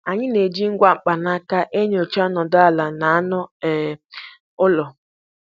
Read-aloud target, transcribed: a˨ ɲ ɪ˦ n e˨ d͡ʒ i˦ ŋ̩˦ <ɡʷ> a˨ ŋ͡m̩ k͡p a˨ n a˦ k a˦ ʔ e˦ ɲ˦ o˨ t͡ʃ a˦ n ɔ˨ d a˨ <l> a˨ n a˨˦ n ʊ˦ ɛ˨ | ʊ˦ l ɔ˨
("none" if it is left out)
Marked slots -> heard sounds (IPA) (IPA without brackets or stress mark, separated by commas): ɡʷ, l